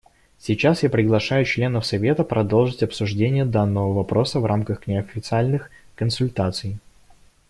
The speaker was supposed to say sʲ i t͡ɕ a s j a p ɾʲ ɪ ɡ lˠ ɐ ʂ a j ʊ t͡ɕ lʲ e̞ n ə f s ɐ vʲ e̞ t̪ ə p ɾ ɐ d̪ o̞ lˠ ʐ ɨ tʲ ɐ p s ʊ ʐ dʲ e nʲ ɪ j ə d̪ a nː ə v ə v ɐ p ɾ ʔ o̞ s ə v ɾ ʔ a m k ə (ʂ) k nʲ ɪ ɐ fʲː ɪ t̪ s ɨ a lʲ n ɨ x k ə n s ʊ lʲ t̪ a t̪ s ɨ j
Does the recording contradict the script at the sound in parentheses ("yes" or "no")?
yes